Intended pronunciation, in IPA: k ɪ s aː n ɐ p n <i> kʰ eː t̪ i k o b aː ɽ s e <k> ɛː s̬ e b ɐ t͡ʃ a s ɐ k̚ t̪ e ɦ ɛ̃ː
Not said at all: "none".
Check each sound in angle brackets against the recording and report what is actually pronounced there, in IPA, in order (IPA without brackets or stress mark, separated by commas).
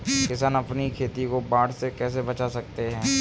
i, k